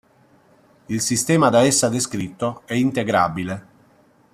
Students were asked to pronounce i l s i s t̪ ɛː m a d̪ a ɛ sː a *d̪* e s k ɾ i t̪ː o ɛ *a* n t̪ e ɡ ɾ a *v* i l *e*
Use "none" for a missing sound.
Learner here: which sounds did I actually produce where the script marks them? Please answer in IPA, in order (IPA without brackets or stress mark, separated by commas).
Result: d̪, i, b, e